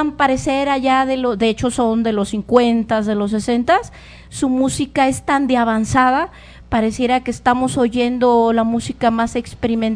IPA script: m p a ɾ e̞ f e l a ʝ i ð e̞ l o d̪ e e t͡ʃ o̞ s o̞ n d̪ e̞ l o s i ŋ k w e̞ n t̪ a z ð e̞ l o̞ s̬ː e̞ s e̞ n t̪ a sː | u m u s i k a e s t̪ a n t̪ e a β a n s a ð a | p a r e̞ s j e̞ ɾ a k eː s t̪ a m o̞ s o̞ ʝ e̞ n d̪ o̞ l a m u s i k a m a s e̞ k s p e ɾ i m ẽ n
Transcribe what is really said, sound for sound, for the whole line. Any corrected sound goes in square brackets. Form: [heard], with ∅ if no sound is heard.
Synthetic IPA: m p a ɾ e̞ [s] e [ɾ] a ʝ [a] ð e̞ l o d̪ e e t͡ʃ o̞ s o̞ n d̪ e̞ l o s i ŋ k w e̞ n t̪ a z ð e̞ l o̞ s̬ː e̞ s e̞ n t̪ a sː | u m u s i k a e s t̪ a n [d̪] e a β a n s a ð a | p a [ɾ] e̞ s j e̞ ɾ a k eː s t̪ a m o̞ s o̞ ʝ e̞ n d̪ o̞ l a m u s i k a m a s e̞ k s p e ɾ i m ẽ n